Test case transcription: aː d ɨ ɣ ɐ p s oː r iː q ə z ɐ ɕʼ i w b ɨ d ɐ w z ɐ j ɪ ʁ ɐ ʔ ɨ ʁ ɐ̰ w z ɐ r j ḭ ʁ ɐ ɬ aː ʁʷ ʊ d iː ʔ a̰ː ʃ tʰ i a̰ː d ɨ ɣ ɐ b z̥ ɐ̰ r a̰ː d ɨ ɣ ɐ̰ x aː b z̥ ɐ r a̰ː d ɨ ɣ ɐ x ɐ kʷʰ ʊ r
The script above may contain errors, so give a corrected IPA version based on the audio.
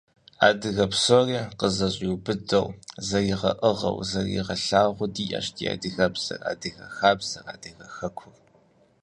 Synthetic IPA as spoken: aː d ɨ ɣ ɐ p s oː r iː q ə z ɐ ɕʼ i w b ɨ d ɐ w z ɐ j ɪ ʁ ɐ ʔ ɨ ʁ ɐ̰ w z ɐ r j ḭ ʁ ɐ ɬ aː ʁʷ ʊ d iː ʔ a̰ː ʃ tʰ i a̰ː d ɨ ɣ ɐ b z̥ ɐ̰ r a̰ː d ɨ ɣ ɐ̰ x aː b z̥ ɐ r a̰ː d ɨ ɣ ɐ x ɐ kʷʰ ʊ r